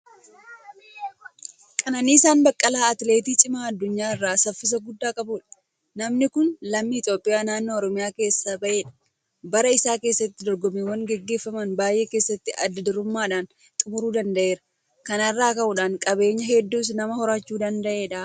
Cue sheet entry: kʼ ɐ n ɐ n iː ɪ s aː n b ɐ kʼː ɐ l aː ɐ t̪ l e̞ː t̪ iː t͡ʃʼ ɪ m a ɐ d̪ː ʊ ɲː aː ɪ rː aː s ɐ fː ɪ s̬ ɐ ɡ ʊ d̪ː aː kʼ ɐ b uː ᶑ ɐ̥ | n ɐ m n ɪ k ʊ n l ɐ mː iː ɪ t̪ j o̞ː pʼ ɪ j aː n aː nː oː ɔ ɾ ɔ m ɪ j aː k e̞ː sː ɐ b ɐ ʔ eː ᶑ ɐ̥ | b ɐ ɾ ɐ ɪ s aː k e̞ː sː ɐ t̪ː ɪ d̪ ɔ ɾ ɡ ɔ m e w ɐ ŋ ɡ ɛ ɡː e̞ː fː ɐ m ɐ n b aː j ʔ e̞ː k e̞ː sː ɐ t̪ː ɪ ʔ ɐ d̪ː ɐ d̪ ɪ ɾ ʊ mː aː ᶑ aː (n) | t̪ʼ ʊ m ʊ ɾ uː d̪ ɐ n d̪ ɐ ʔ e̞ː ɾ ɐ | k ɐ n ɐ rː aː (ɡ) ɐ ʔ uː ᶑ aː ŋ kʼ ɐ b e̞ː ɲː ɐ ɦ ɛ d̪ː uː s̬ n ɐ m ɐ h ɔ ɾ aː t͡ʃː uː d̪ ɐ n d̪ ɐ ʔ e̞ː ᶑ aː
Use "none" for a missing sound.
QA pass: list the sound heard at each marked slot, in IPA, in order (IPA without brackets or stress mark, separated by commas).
n, k